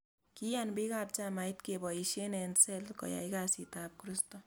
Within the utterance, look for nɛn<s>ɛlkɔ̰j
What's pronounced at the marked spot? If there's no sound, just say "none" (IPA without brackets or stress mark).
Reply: s